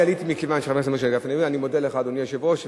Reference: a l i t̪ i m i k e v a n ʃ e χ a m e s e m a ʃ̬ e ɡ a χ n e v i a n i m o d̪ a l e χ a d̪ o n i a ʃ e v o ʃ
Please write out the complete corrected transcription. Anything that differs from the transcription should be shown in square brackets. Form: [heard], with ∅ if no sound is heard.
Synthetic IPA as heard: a l i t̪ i m i k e v a n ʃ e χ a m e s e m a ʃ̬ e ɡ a [f] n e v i a n i m o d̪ [e] l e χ a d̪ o n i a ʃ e v o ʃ